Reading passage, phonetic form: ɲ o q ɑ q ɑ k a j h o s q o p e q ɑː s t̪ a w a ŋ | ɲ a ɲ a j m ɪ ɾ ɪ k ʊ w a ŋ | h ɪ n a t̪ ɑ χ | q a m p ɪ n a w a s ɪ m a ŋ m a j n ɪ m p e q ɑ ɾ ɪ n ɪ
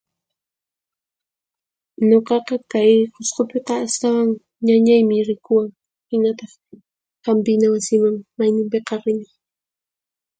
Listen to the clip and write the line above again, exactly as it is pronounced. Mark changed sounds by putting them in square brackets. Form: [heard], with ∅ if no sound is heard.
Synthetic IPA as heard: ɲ o q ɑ q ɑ k a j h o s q o p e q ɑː s t̪ a w a ŋ | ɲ a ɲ a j m ɪ ɾ ɪ k ʊ w a ŋ | h ɪ n a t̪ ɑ χ | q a m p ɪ n a w a s ɪ m a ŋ m a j n ɪ m p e q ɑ ɾ ɪ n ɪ